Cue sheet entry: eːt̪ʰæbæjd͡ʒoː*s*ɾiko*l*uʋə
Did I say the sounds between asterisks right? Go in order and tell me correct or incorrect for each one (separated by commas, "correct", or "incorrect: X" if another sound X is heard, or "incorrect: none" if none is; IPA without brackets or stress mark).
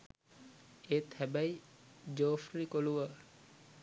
incorrect: f, correct